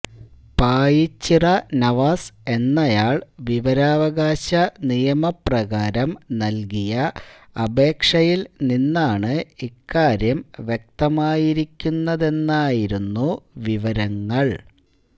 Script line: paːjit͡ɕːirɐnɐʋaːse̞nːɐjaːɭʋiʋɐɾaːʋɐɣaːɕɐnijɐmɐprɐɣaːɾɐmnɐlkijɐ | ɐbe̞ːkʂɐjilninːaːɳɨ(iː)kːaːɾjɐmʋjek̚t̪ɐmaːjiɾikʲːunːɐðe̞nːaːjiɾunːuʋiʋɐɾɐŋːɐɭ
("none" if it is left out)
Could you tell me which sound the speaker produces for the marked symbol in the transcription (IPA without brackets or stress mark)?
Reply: i